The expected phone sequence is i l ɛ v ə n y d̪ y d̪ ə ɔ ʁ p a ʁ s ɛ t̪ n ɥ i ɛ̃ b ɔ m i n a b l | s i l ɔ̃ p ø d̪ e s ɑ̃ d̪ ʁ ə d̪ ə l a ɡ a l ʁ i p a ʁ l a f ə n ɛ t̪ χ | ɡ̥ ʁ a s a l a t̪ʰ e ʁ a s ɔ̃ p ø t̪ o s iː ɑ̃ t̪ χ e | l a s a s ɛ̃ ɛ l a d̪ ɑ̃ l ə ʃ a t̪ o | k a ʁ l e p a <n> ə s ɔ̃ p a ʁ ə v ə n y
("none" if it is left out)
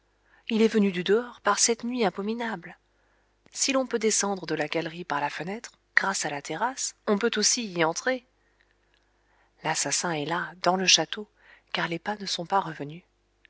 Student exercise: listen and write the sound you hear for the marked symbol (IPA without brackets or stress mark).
n